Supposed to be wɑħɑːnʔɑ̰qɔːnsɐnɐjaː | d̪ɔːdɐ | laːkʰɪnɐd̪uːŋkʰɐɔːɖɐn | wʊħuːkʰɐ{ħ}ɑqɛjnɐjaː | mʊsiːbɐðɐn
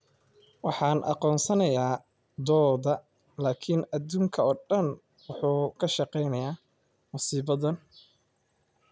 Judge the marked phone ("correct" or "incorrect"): incorrect